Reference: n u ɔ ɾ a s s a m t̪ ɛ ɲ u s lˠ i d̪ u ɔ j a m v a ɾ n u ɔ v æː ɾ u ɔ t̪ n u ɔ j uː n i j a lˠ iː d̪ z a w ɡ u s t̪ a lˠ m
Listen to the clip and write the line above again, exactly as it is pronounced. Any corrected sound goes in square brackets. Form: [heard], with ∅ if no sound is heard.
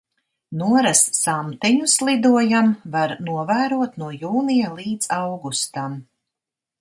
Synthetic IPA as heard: n u ɔ ɾ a s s a m t̪ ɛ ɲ u s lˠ i d̪ u ɔ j a m v a ɾ n u ɔ v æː ɾ u ɔ t̪ n u ɔ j uː n i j a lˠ iː d̪ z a w ɡ u s t̪ a [∅] m